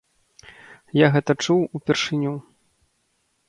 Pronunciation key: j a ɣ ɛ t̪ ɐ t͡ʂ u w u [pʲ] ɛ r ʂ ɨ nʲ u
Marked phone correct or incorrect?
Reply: correct